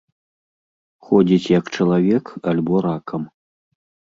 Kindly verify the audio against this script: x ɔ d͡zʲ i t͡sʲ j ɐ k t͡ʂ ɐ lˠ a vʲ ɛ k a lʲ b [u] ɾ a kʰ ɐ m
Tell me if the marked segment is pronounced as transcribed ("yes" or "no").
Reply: no